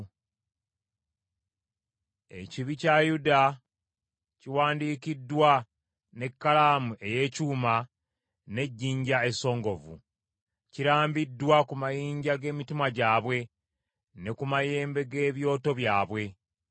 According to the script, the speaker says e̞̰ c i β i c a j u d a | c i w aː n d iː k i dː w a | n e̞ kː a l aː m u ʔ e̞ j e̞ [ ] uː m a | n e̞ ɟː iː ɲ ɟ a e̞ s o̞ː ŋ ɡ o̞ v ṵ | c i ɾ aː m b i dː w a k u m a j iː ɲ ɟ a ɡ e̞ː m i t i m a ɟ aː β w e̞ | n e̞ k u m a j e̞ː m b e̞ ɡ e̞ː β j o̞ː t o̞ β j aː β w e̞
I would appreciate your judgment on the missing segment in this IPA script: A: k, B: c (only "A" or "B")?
B